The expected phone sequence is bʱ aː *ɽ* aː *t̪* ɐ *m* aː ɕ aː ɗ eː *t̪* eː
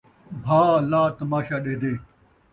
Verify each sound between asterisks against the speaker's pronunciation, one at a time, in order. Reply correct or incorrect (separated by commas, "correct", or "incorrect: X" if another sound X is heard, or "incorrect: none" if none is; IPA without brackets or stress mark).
incorrect: l, correct, correct, incorrect: d̪